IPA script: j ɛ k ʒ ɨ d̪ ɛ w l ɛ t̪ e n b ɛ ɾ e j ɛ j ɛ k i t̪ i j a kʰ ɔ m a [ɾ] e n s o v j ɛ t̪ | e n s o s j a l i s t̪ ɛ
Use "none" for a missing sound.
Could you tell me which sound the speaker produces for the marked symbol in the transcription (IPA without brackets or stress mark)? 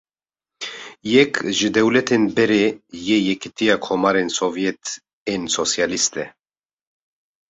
ɾ